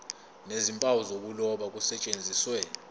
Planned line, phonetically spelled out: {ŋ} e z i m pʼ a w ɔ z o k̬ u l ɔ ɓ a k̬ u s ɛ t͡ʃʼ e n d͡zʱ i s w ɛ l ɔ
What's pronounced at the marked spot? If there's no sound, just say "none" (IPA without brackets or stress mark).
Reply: n